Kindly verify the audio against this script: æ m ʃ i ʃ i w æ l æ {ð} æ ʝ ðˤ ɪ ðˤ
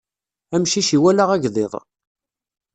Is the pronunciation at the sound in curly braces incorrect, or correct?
incorrect